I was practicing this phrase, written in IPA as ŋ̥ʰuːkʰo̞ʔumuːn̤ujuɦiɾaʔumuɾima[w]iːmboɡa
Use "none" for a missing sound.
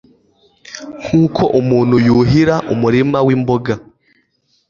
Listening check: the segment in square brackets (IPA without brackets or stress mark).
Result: w